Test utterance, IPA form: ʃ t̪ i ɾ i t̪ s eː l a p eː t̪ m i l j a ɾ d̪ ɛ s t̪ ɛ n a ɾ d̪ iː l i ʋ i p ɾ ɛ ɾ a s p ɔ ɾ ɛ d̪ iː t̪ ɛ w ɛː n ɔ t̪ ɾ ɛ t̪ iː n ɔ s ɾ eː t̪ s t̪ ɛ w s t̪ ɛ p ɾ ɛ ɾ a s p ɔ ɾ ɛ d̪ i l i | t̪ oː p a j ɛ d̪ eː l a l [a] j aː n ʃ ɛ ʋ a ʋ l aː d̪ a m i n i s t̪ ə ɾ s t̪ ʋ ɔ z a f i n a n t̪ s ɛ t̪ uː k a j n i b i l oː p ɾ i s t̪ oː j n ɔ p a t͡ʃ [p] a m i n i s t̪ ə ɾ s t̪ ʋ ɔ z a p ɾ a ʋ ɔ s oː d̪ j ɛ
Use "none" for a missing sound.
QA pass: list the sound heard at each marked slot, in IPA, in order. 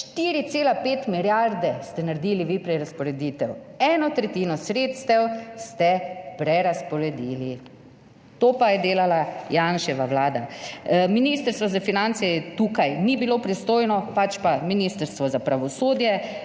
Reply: a, p

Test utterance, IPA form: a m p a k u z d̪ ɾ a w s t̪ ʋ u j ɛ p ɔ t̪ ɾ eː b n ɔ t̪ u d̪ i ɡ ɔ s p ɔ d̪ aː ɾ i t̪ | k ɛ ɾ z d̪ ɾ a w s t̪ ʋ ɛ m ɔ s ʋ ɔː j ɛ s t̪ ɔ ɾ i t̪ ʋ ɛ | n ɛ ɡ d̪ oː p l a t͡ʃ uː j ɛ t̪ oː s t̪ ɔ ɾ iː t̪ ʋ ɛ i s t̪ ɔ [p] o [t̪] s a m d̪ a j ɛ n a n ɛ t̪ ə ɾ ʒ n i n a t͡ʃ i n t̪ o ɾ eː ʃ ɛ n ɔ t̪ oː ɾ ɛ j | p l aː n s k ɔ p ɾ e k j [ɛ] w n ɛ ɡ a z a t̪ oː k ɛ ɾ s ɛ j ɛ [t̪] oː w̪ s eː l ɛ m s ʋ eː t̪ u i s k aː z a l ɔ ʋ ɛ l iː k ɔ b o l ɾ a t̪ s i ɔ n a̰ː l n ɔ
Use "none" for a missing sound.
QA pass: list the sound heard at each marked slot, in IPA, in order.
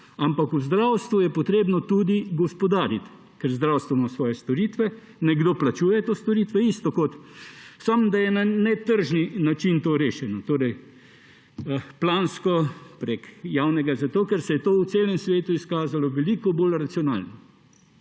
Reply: k, t̪, a, t̪

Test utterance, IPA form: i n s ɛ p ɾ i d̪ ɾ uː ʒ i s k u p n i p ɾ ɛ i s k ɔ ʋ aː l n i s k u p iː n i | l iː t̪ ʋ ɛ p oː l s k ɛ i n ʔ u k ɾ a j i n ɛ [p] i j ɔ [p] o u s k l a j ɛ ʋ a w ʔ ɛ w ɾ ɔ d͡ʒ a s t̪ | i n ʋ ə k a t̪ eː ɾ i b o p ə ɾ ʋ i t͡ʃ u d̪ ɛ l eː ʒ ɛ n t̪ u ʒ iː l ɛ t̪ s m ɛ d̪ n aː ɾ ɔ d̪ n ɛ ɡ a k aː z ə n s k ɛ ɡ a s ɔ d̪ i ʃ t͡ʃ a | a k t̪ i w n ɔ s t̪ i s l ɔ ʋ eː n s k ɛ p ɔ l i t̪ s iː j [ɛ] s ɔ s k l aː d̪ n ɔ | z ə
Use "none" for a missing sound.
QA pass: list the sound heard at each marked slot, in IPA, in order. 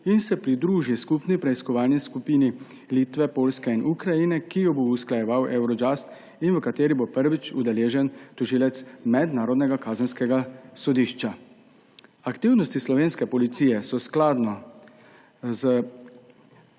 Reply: k, b, ɛ

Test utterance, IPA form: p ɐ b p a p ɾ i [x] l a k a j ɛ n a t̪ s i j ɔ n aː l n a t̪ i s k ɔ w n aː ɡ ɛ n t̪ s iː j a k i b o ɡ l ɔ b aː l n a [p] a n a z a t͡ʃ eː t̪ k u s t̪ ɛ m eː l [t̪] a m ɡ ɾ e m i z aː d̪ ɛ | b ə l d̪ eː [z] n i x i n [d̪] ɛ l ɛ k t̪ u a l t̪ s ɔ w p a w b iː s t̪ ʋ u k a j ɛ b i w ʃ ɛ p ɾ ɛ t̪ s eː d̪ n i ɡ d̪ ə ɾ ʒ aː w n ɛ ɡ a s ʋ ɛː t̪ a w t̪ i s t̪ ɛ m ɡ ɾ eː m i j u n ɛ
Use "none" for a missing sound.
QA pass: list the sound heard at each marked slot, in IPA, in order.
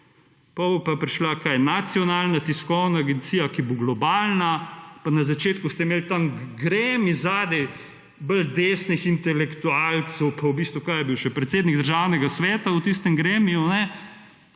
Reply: ʃ, p, t̪, s, t̪

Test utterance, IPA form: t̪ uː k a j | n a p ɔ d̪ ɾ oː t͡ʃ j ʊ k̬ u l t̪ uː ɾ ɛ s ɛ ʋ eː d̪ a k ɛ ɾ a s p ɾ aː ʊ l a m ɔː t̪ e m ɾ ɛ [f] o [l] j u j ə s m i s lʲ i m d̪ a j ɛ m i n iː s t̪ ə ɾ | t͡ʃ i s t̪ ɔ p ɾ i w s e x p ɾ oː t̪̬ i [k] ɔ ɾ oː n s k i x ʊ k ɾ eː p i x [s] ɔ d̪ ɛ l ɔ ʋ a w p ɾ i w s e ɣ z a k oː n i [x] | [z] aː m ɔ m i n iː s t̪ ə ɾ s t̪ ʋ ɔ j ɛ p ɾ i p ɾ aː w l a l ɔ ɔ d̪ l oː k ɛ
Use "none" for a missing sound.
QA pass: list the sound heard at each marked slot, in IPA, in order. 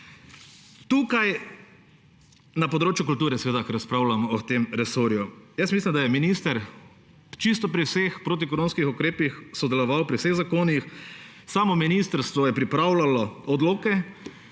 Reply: s, ɾ, k, s, x, s

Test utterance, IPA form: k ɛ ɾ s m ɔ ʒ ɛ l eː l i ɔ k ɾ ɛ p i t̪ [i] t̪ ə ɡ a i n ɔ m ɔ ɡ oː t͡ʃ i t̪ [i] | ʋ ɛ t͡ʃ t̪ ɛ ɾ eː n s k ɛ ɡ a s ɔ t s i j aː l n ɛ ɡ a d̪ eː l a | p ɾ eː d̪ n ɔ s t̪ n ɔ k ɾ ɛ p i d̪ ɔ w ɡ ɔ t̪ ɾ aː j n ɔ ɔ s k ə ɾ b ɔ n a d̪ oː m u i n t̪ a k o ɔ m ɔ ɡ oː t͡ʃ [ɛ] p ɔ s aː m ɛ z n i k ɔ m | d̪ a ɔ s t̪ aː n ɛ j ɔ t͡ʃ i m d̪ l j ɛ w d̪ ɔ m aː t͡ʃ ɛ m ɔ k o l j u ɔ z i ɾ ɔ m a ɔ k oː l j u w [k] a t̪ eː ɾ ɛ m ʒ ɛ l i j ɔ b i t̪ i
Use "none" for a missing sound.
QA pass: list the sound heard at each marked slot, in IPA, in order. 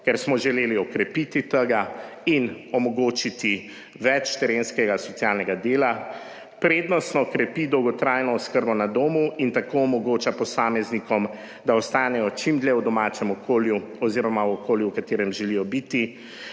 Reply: i, i, a, k

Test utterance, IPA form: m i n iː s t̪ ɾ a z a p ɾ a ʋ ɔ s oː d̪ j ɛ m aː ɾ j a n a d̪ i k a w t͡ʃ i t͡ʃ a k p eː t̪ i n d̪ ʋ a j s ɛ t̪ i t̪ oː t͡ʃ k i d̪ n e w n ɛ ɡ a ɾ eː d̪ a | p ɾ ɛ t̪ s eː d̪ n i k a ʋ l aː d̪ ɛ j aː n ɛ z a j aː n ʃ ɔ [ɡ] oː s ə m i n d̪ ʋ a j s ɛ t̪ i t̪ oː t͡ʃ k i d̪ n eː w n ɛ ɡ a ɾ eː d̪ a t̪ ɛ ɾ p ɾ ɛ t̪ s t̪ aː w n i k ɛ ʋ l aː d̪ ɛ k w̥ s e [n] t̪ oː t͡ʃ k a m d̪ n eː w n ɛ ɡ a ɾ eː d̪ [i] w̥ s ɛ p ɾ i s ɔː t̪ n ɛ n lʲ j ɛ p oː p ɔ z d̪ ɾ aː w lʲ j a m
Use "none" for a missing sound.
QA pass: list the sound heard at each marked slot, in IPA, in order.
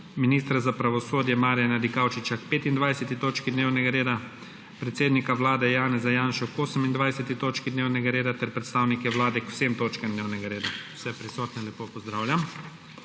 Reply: k, m, a

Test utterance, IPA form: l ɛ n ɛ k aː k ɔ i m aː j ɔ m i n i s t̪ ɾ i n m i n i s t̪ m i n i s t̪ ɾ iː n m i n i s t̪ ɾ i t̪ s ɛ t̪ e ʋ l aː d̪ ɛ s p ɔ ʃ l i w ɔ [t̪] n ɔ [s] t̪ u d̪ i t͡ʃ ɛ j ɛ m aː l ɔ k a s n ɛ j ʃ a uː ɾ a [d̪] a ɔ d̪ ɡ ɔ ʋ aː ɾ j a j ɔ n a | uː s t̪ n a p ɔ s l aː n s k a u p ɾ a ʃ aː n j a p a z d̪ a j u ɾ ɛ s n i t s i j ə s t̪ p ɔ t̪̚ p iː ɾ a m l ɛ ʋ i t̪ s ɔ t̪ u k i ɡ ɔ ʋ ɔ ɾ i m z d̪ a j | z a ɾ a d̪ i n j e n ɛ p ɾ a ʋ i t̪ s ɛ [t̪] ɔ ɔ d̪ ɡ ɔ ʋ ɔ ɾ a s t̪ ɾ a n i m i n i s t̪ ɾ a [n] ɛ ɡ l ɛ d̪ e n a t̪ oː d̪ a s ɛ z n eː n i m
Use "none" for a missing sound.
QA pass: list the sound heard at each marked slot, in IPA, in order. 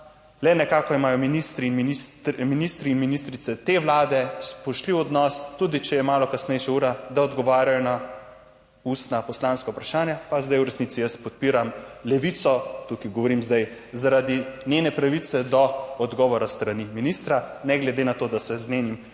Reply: d̪, s, d̪, d̪, n

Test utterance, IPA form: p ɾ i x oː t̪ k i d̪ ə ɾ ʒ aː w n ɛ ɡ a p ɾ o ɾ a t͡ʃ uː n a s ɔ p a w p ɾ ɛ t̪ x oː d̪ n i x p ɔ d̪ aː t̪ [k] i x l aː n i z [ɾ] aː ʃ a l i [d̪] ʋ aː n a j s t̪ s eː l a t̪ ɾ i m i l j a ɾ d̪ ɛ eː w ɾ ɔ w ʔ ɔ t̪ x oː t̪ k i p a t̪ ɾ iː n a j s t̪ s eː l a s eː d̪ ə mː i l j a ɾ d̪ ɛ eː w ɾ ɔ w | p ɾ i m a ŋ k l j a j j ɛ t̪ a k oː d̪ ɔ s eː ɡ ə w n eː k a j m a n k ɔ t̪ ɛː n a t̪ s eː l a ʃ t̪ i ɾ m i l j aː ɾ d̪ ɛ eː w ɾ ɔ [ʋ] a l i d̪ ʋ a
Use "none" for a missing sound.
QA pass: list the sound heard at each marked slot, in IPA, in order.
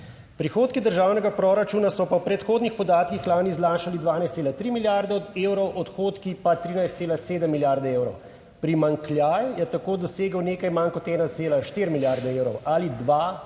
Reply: k, l, d̪, w

